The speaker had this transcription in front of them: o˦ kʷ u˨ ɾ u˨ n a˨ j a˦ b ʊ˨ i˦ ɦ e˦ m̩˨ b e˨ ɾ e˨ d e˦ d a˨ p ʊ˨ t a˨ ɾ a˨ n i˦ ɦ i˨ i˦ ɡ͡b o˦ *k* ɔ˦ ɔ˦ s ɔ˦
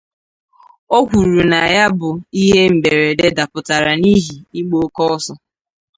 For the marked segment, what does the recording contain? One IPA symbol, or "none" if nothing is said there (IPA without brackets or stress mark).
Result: k